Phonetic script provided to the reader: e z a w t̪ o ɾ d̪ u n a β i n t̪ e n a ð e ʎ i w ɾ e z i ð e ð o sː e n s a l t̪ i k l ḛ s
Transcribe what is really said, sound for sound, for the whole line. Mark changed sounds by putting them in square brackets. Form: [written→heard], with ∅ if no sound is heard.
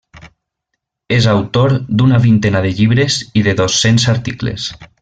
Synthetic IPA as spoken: e z a w t̪ o ɾ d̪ u n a β i n t̪ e n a ð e ʎ i [w→β] ɾ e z i ð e ð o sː e n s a [l→ɾ] t̪ i k l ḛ s